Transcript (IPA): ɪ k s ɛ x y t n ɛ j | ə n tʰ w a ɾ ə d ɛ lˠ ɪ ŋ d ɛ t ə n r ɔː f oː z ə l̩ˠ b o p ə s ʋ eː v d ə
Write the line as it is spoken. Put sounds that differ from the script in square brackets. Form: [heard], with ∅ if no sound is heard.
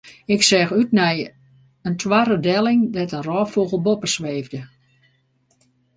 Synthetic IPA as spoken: ɪ k s ɛ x y t n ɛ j | ə n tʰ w a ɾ ə d ɛ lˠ ɪ ŋ d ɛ t ə n r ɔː f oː [ɣ] ə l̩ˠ b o p ə s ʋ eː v d ə